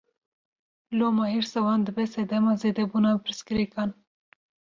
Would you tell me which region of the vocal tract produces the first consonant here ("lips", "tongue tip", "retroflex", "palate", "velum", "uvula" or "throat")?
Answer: tongue tip